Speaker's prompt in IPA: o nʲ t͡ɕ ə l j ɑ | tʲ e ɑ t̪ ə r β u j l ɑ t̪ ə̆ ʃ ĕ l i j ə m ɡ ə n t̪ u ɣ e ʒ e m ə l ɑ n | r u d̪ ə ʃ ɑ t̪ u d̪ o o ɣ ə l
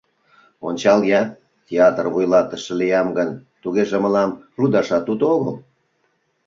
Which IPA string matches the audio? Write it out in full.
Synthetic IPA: o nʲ t͡ɕ ɑ l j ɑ | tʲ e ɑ t̪ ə r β u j l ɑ t̪ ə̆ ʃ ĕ l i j ɑ m ɡ ə n t̪ u ɣ e ʒ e m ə l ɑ m | r u d̪ ɑ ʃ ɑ t̪ u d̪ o o ɣ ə l

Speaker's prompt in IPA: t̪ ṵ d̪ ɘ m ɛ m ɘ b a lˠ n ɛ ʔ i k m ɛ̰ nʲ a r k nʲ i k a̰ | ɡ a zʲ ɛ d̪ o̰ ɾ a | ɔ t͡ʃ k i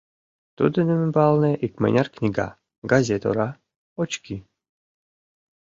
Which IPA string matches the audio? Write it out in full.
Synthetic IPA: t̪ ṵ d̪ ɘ n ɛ m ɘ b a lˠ n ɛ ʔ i k m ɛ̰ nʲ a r k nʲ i ɡ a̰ | ɡ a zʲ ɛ t̪ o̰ ɾ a | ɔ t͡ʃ k i

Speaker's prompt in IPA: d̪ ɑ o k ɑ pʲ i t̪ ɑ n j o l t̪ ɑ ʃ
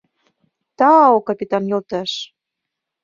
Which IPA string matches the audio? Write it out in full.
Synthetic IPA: t̪ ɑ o k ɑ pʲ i t̪ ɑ n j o l t̪ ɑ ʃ

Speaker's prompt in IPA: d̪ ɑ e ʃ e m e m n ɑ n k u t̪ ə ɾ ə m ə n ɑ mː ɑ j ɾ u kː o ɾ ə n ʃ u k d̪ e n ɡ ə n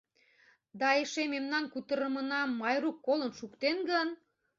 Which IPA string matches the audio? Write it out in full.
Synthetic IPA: d̪ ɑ e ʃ e m e m n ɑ n k u t̪ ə ɾ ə m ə n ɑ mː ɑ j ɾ u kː o l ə n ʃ u k t̪ e n ɡ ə n

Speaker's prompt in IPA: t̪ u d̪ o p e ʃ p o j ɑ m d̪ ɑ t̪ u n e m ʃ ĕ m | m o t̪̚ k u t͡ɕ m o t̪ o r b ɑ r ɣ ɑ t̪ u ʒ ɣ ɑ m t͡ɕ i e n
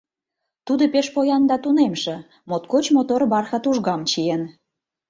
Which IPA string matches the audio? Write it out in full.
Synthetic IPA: t̪ u d̪ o p e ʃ p o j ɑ n d̪ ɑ t̪ u n e m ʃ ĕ | m o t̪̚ k o t͡ɕ m o t̪ o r b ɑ r x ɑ t̪ u ʒ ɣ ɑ m t͡ɕ i e n

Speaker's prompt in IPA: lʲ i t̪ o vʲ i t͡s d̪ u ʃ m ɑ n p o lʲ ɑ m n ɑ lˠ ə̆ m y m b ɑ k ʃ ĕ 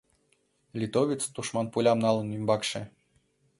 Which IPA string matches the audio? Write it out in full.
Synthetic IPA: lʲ i t̪ o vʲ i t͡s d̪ u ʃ m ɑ n p u lʲ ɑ m n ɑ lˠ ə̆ n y m b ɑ k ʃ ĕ

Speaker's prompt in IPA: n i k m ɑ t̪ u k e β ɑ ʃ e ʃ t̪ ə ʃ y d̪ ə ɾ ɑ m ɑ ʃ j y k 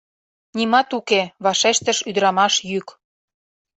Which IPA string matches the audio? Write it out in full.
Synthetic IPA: n i m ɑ t̪ u k e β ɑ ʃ e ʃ t̪ ə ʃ y d̪ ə ɾ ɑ m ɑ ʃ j y k

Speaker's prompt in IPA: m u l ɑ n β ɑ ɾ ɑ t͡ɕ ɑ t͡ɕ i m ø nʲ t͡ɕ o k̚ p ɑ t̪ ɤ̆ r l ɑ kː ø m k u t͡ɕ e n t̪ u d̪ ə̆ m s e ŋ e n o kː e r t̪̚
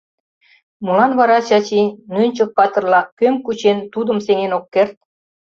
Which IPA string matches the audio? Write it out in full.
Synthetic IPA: m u l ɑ n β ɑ ɾ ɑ t͡ɕ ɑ t͡ɕ i n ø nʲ t͡ɕ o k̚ p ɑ t̪ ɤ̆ r l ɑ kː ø m k u t͡ɕ e n t̪ u d̪ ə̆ m s e ŋ e n o kː e r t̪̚

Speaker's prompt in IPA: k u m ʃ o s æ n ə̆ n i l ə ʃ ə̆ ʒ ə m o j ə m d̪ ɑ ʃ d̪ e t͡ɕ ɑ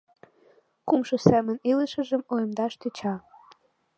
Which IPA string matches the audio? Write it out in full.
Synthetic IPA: k u m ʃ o s æ m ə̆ n i l ə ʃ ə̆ ʒ ə m o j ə m d̪ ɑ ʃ t̪ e t͡ɕ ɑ

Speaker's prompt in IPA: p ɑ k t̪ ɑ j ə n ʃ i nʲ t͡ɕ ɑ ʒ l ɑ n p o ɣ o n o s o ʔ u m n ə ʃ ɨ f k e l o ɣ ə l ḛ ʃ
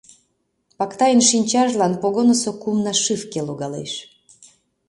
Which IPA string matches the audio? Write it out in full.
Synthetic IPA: p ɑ k t̪ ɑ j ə n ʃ i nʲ t͡ɕ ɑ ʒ l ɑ n p o ɣ o n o s o k u m n ɑ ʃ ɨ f k e l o ɣ ɑ l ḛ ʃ

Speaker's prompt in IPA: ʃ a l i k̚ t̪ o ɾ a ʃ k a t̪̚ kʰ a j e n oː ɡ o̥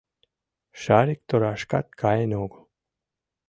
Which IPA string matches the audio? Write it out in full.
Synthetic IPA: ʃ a ɾ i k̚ t̪ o ɾ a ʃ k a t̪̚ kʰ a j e n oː ɡ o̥

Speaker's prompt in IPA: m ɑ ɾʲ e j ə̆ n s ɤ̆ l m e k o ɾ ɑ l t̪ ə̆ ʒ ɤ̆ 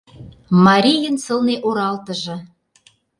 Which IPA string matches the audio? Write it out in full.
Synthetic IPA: m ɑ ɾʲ i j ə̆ n s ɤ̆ l n e ʔ o ɾ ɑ l t̪ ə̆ ʒ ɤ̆

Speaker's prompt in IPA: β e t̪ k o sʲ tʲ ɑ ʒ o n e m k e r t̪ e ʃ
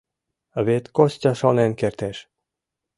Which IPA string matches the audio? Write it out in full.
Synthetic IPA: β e t̪ k o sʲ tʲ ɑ ʃ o n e n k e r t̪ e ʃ

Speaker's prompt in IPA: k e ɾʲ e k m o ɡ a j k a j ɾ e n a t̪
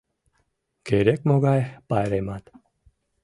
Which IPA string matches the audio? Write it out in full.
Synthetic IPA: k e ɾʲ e k m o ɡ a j p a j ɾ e m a t̪

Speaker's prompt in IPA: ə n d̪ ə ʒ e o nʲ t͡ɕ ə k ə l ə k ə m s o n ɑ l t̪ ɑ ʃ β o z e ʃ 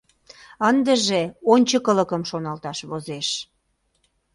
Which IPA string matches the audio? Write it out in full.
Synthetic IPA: ə n d̪ ə ʒ e o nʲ t͡ɕ ə k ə l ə k ə m ʃ o n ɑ l t̪ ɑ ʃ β o z e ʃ

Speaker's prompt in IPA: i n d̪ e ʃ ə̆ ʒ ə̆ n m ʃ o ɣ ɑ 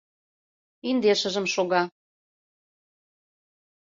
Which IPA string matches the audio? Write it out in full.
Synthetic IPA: i n d̪ e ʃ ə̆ ʒ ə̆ m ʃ o ɣ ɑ

